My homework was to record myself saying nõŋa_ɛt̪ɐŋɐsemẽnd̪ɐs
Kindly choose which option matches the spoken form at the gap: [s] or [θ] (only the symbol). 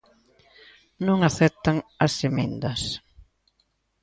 θ